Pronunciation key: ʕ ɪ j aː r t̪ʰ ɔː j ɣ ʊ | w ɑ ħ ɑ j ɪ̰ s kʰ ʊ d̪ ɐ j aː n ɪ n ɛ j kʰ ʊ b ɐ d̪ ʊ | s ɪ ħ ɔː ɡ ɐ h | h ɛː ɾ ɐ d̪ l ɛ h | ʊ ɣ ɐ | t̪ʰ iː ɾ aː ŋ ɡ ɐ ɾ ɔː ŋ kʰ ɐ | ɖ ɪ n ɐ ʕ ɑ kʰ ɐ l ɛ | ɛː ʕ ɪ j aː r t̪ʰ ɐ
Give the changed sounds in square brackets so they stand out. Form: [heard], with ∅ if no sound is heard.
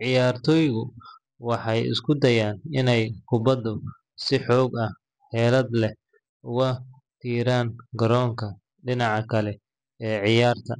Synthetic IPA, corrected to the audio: ʕ ɪ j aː r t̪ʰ ɔː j ɣ ʊ | w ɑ ħ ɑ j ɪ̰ s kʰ ʊ d̪ ɐ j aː n ɪ n ɛ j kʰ ʊ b ɐ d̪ ʊ | s ɪ ħ ɔː ɡ ɐ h | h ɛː [l] ɐ d̪ l ɛ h | ʊ ɣ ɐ | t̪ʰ iː ɾ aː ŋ ɡ ɐ ɾ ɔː ŋ kʰ ɐ | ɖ ɪ n [ɑ] ʕ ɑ kʰ ɐ l ɛ | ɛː ʕ ɪ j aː r t̪ʰ ɐ